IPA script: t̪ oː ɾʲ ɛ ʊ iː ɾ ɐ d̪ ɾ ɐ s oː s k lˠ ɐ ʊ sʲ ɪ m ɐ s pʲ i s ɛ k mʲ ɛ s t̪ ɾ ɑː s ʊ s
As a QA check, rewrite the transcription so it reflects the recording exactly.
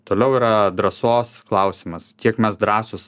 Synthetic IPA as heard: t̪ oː lʲ ɛ ʊ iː ɾ ɐ d̪ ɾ ɐ s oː s k lˠ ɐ ʊ sʲ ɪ m ɐ s kʲ i ɛ k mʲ ɛ s d̪ ɾ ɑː s ʊ s